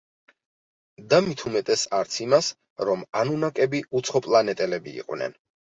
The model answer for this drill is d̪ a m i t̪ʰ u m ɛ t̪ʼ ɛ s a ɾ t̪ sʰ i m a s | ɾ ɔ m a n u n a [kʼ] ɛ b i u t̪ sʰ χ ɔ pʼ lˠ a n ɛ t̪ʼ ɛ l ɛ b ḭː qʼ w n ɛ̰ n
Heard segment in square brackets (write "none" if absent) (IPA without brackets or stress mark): kʼ